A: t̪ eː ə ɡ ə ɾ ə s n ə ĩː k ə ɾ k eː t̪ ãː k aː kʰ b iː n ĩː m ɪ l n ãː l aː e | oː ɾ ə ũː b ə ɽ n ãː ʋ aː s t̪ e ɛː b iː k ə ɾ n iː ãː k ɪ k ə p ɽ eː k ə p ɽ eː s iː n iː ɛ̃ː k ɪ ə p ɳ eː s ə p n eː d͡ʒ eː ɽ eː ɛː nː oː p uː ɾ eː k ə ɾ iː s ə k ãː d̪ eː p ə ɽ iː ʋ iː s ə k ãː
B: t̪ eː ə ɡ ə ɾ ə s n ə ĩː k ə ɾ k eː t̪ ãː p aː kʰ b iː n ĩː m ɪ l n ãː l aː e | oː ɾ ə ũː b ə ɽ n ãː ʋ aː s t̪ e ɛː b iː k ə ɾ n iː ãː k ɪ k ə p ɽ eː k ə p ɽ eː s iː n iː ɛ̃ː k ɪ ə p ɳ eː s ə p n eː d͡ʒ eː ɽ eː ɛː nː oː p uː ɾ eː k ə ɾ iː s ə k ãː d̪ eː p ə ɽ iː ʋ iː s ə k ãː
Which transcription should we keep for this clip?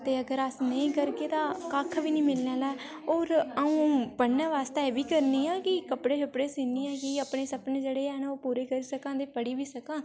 A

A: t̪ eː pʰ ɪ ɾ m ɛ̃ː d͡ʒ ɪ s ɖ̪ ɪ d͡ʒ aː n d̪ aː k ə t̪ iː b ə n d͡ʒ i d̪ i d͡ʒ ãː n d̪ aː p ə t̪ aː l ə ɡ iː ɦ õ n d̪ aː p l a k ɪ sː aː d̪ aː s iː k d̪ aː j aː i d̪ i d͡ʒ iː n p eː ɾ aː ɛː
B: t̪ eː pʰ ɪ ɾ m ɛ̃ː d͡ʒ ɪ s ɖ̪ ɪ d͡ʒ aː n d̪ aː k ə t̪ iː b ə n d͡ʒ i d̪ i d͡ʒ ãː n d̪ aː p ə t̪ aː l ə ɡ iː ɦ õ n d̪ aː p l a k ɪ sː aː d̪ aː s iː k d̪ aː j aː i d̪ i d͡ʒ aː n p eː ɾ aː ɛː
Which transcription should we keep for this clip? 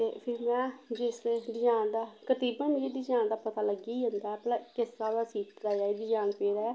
B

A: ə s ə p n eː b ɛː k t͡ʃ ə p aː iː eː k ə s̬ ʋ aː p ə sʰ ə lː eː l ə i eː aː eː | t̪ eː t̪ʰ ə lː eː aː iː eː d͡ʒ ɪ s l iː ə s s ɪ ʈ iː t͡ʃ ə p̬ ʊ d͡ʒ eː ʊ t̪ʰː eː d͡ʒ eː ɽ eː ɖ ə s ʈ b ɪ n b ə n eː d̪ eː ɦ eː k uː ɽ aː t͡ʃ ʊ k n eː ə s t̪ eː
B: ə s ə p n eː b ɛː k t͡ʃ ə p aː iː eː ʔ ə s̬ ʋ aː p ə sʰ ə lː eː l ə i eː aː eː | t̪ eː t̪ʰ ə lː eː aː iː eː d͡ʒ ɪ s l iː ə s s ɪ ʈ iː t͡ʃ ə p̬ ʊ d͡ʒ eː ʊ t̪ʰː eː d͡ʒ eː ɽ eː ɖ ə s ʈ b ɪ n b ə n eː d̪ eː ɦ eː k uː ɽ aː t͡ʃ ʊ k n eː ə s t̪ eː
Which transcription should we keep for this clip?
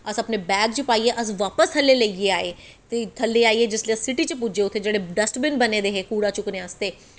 B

